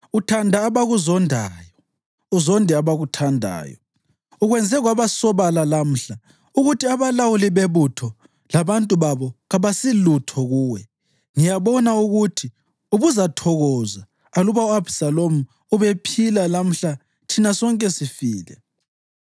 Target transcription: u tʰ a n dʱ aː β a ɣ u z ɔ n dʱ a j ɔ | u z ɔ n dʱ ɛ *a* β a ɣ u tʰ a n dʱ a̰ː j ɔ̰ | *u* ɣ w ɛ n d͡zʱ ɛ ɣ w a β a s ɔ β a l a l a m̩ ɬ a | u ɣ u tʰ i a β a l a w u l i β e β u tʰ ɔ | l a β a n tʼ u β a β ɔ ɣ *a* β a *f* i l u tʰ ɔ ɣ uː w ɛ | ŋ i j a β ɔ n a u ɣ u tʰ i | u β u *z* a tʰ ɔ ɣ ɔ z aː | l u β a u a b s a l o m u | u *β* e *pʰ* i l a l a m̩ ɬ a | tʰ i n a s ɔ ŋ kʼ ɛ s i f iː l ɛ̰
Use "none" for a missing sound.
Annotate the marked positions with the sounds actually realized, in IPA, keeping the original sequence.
a, u, a, s, z, β, pʰ

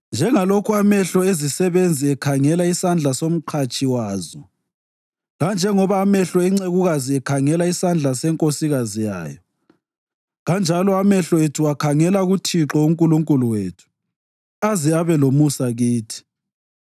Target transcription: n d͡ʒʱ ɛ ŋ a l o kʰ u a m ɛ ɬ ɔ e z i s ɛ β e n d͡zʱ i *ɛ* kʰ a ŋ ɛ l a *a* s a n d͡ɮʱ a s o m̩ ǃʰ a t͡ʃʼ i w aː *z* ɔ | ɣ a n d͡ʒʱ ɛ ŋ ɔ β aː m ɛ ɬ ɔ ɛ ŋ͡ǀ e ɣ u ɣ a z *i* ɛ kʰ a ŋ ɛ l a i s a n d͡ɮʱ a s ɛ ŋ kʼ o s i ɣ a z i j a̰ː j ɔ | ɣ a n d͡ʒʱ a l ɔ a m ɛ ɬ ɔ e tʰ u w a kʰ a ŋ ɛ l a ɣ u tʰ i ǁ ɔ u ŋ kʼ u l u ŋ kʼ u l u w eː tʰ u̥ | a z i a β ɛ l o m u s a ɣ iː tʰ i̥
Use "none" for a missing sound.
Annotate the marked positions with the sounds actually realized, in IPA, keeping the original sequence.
ɛ, i, z, i

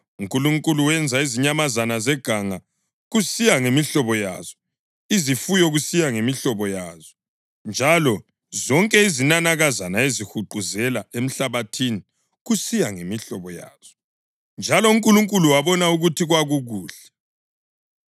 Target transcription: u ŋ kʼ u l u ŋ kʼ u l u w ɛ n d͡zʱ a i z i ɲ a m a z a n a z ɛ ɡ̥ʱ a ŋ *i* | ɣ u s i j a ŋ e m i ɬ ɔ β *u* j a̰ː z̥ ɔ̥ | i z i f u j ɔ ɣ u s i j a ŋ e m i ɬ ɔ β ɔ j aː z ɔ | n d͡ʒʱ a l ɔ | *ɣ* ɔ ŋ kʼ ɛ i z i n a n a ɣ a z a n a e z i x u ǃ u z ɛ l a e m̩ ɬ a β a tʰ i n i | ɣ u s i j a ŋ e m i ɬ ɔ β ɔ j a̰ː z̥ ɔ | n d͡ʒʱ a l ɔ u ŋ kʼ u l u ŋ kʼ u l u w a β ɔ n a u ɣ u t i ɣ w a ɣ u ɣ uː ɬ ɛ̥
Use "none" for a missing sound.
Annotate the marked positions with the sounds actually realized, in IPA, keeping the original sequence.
a, ɔ, z

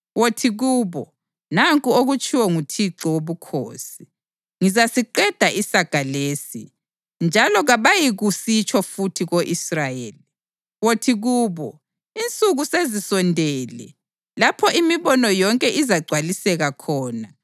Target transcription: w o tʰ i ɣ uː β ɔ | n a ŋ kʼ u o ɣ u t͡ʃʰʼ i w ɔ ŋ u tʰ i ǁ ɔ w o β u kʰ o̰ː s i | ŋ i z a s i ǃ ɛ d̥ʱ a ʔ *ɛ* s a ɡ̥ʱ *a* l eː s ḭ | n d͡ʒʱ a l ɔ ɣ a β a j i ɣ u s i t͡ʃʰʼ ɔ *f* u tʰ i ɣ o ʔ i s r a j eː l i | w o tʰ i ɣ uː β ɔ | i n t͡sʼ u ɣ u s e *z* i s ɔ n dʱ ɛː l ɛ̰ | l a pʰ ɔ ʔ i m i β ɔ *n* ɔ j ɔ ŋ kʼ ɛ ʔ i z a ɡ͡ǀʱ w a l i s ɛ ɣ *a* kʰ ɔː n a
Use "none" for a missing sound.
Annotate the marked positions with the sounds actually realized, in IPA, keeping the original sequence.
i, a, f, z, n, a

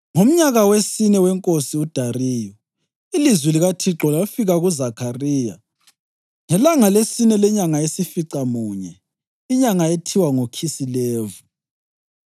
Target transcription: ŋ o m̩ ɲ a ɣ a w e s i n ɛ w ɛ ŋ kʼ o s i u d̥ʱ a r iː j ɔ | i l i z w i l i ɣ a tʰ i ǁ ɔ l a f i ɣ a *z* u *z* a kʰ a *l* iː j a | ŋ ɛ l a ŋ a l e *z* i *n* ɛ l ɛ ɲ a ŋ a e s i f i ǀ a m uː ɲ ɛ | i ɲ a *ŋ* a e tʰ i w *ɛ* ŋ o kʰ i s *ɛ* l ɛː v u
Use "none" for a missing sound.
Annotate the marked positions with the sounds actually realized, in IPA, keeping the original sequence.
ɣ, z, r, s, n, ŋ, a, i

